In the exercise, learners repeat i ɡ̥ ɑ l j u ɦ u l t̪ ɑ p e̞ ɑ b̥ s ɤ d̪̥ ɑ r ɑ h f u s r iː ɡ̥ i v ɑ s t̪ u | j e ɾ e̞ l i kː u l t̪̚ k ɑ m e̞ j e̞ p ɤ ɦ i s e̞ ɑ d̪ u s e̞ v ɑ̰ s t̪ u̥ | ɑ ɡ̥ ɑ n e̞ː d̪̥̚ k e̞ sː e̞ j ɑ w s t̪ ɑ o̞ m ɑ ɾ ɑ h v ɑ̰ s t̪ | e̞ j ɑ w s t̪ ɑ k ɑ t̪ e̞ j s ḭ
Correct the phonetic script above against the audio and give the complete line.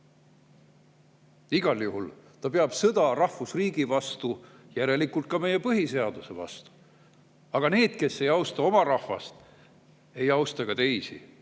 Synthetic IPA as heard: i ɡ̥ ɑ l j u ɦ u l t̪ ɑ p e̞ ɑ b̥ s ɤ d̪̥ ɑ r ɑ h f u s r iː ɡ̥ i v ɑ s t̪ u | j æ ɾ e̞ l i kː u l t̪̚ k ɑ m e̞ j e̞ p ɤ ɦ i s e̞ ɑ d̪ u s e̞ v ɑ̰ s t̪ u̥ | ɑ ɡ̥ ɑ n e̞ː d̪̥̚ k e̞ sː e̞ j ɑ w s t̪ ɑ o̞ m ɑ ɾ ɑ h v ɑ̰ s t̪ | e̞ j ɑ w s t̪ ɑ k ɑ t̪ e̞ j s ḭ